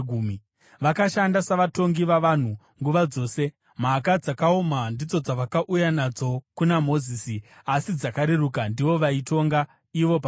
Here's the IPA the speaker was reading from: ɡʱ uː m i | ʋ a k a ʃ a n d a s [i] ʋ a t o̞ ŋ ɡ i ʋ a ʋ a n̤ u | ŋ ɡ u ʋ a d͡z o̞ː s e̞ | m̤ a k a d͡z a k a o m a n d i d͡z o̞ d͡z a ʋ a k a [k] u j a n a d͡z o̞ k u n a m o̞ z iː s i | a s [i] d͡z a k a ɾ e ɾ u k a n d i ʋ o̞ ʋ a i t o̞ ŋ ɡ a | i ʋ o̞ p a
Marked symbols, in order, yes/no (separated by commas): no, no, yes